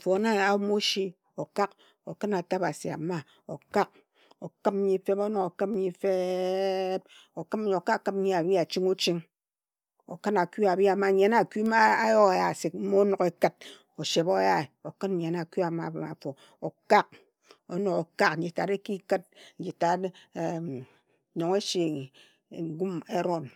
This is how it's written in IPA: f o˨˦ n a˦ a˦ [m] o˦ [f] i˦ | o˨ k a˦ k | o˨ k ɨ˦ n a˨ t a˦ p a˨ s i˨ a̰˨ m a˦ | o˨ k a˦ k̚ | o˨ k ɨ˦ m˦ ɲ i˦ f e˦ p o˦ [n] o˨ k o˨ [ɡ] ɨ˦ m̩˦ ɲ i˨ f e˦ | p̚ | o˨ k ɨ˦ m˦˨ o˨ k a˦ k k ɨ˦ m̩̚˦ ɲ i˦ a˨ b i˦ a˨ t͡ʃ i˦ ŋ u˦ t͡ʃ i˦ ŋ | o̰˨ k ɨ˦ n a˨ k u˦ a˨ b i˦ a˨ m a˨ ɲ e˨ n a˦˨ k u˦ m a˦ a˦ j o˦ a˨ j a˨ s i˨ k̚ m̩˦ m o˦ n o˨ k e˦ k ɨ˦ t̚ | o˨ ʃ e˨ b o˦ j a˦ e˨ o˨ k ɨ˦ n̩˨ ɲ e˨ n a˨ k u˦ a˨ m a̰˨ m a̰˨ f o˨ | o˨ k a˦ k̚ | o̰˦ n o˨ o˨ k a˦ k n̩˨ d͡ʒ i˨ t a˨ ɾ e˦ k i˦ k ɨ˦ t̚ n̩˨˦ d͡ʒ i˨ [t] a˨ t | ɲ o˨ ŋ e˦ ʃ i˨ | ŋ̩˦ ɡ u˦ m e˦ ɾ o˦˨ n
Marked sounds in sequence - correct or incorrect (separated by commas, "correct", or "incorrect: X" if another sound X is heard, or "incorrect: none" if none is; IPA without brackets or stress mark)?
correct, incorrect: ʃ, correct, incorrect: k, correct